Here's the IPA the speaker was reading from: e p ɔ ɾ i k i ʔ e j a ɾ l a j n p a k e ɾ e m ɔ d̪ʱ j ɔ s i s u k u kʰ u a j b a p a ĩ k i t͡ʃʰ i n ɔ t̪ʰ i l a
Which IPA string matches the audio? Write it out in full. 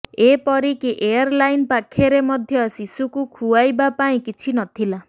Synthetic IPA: e p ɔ ɾ i k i ʔ e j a ɾ l a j n p a kʰ e ɾ e m ɔ d̪ʱ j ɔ s i s u k u kʰ u a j b a p a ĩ k i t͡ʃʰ i n ɔ t̪ʰ i l a